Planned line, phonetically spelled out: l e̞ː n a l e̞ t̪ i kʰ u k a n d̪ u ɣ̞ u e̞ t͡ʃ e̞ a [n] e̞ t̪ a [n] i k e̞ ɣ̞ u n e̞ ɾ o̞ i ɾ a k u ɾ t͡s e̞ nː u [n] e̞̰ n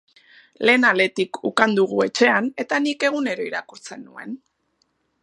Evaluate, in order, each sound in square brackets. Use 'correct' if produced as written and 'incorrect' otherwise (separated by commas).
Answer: correct, correct, incorrect